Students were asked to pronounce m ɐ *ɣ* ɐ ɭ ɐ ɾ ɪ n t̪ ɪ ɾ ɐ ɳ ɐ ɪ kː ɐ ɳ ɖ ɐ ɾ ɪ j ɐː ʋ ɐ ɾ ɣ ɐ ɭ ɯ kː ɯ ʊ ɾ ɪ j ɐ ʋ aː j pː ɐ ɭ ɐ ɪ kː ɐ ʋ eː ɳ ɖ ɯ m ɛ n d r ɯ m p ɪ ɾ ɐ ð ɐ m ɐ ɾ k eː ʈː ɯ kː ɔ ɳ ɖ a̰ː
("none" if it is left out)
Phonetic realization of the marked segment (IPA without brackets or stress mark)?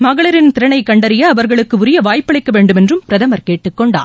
ɣ